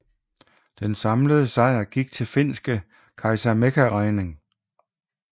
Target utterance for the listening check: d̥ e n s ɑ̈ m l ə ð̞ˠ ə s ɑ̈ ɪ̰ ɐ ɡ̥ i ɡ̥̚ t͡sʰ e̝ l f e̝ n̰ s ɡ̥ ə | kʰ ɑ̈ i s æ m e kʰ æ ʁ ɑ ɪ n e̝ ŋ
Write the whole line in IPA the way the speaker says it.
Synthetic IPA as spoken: d̥ e n s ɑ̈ m l ə ð̞ˠ ə s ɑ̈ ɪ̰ ɐ ɡ̥ i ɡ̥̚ t͡sʰ e̝ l f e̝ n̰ s ɡ̥ ə | kʰ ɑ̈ ɪ s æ m e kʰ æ ʁ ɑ ɪ n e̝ ŋ